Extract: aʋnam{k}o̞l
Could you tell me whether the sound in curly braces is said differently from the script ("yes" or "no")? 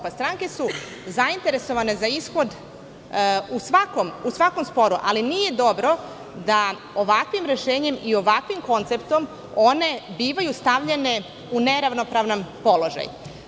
yes